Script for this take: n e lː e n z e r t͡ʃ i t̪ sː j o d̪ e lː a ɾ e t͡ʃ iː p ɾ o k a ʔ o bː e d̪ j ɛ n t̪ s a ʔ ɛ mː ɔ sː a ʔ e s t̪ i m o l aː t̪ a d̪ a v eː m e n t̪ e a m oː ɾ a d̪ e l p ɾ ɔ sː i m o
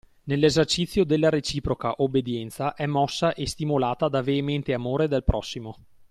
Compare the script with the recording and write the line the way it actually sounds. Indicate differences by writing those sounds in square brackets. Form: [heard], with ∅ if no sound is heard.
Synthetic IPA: n e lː e [∅] z e r t͡ʃ i t̪ sː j o d̪ e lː a ɾ e t͡ʃ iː p ɾ o k a ʔ o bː e d̪ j ɛ n t̪ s a ʔ ɛ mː ɔ sː a ʔ e s t̪ i m o l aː t̪ a d̪ a v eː m e n t̪ e a m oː ɾ [e] d̪ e l p ɾ ɔ sː i m o